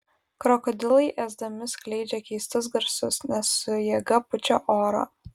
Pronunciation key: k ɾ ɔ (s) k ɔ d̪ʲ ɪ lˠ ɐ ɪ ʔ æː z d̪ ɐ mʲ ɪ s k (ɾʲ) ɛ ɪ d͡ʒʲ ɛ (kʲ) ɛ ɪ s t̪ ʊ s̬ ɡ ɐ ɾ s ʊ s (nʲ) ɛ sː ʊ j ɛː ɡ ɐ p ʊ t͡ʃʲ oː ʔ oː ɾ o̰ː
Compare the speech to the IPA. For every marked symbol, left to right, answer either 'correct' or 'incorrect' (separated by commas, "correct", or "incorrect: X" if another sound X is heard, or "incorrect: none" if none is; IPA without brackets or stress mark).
incorrect: none, incorrect: lʲ, correct, correct